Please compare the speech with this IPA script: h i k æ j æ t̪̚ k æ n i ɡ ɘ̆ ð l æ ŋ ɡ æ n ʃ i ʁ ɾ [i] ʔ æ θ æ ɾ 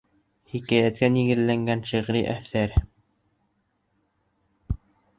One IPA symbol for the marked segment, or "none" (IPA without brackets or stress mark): i